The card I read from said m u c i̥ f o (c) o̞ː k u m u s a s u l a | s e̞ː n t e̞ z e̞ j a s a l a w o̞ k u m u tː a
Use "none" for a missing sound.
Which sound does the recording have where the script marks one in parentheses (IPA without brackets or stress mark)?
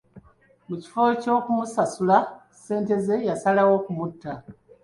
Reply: c